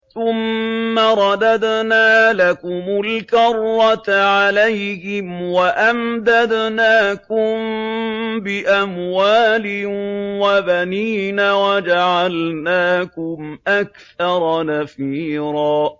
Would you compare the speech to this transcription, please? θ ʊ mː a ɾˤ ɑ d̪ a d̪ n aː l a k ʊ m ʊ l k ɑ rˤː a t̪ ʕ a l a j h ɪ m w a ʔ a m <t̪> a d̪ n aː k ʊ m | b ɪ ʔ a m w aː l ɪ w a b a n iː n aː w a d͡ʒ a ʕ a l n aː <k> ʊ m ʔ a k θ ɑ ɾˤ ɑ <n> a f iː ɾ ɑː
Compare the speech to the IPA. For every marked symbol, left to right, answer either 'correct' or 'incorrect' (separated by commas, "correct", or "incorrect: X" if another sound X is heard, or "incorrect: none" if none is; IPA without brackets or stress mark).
incorrect: d̪, correct, correct